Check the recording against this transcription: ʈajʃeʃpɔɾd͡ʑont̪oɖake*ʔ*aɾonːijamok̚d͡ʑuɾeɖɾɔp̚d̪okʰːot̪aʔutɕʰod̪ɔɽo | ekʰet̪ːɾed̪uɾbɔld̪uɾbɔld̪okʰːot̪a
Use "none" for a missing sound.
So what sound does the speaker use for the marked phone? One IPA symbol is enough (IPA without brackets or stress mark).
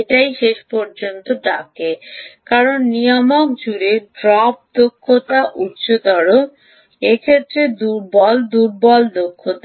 k